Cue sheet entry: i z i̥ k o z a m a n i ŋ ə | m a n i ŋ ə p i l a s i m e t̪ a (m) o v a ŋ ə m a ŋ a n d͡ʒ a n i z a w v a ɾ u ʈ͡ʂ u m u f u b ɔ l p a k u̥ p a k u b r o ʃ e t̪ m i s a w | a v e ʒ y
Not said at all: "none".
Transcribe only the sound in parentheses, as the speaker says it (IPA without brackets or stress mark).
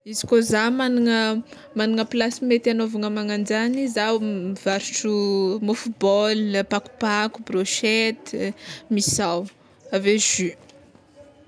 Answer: n